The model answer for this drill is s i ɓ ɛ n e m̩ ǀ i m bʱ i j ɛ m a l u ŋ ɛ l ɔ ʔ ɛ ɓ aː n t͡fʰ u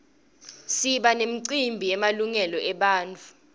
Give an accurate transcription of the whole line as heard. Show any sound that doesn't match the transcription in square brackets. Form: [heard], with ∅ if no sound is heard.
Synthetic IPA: s i ɓ [a] n e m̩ ǀ i m bʱ i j ɛ m a l u ŋ ɛ l ɔ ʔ ɛ ɓ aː n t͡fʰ u